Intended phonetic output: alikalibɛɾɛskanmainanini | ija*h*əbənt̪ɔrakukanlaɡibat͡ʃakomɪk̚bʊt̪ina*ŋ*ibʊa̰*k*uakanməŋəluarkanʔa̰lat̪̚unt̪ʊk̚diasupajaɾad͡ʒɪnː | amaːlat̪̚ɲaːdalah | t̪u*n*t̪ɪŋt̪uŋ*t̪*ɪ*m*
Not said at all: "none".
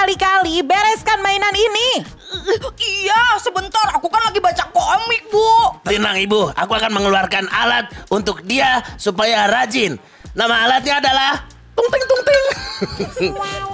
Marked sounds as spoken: s, ŋ, k, ŋ, t̪, ŋ

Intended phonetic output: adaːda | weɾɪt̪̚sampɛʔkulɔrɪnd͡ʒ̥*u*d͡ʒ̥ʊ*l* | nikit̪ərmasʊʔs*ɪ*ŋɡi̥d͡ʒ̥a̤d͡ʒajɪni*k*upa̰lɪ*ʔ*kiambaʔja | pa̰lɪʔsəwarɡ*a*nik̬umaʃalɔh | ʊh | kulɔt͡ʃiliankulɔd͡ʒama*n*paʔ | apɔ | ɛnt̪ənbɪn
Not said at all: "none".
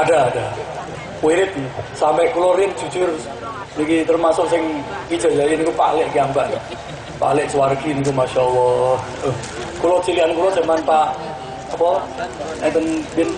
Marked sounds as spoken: u, r, ɪ, k, ʔ, i, n

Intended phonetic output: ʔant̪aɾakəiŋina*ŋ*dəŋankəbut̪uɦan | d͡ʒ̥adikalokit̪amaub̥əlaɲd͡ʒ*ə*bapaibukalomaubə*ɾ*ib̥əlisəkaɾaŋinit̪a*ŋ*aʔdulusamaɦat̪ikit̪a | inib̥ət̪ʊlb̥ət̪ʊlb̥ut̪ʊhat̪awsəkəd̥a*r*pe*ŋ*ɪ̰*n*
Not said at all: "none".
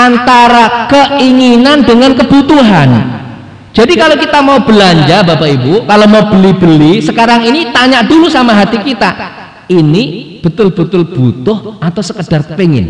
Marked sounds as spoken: n, a, l, ɲ, r, ŋ, n

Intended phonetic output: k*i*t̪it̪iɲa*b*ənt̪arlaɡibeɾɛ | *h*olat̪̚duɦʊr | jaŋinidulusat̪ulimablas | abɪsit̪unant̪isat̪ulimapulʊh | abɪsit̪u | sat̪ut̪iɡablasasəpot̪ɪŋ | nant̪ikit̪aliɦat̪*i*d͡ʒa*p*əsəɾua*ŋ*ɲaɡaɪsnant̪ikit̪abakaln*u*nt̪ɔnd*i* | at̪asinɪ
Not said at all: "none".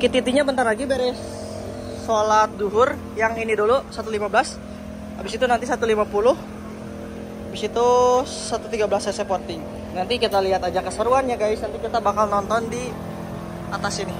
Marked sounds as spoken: i, b, s, a, k, n, ɔ, i

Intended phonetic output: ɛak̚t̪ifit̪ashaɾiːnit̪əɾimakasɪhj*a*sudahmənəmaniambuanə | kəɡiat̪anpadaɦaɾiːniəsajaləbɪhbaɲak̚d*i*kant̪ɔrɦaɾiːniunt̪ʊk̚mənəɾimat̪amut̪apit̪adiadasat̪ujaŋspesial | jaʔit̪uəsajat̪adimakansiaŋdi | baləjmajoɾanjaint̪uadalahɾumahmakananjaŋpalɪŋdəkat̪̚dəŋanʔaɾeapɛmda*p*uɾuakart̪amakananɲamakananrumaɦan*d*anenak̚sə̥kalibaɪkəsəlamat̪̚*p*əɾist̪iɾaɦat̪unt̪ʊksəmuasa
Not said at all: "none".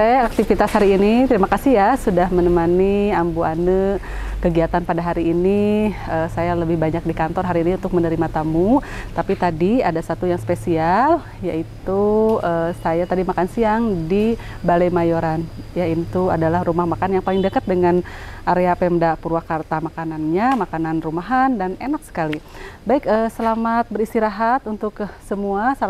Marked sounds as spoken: a, i, p, d, b

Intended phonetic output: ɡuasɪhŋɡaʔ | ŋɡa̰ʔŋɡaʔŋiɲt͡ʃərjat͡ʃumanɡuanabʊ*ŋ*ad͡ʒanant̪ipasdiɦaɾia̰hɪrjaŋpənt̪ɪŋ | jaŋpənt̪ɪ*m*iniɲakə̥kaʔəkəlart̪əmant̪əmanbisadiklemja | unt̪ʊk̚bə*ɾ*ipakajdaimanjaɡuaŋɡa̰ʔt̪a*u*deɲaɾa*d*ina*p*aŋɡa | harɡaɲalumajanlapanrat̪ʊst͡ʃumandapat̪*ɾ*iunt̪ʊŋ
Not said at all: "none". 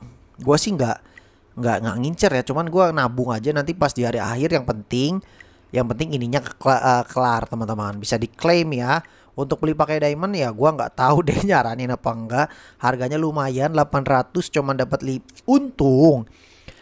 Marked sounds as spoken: ŋ, ŋ, l, u, n, p, l

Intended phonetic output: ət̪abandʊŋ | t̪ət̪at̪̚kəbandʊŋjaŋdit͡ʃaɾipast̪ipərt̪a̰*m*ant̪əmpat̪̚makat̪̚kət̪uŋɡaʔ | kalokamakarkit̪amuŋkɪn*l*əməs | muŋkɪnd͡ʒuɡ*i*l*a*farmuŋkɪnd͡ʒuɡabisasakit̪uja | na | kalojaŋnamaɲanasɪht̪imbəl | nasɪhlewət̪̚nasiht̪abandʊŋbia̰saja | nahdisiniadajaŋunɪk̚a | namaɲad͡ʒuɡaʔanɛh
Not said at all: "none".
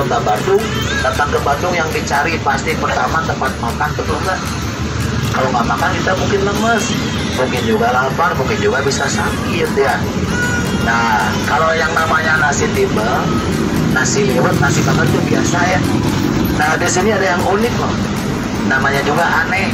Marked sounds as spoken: m, l, a, a

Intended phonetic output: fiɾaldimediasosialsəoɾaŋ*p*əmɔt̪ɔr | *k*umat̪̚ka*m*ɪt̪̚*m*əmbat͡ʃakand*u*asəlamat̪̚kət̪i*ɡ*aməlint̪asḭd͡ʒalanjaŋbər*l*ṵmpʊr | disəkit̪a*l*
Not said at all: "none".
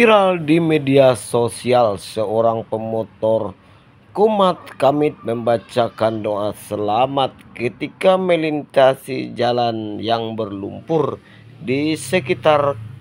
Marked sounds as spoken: p, k, m, m, o, k, l, r

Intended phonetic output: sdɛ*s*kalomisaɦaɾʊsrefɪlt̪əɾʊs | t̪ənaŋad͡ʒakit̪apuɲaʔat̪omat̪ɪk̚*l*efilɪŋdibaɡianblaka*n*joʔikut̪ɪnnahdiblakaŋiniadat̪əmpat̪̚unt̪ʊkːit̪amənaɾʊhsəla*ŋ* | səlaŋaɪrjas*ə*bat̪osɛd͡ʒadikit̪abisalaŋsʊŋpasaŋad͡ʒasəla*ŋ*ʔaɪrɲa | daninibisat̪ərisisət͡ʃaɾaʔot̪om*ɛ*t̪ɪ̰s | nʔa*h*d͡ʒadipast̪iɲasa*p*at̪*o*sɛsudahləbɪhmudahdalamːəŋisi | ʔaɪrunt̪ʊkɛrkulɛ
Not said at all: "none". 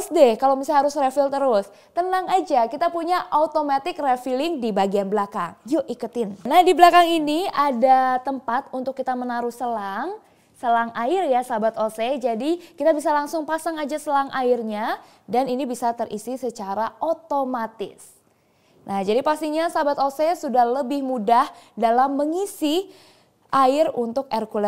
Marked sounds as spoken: h, r, ŋ, ŋ, a, ŋ, a, h, b, o

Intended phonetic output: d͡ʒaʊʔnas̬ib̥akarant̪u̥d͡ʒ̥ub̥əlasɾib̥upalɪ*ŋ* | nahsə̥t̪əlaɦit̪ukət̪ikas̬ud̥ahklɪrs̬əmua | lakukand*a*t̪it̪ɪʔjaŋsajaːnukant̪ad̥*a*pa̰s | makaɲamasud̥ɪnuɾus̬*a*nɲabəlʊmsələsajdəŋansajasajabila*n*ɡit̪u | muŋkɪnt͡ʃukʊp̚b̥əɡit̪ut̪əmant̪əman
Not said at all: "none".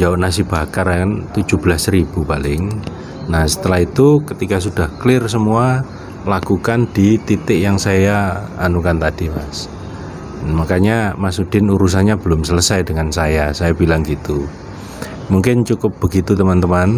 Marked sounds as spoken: ŋ, i, i, a, ŋ

